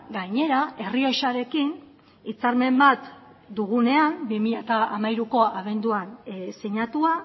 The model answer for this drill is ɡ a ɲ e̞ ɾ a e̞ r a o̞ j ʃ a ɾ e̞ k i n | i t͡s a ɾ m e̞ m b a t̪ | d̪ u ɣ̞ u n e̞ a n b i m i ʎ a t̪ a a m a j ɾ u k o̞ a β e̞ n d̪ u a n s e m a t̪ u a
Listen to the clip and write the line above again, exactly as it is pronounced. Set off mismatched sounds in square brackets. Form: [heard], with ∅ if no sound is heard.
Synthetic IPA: ɡ a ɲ e̞ ɾ a e̞ r [i] o̞ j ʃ a ɾ e̞ k i n | i t͡s a ɾ m e̞ m b a t̪ | d̪ u ɣ̞ u n e̞ a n b i m i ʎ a t̪ a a m a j ɾ u k o̞ a β e̞ n d̪ u a n s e [ɲ] a t̪ u a